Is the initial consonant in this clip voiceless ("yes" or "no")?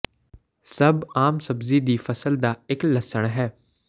yes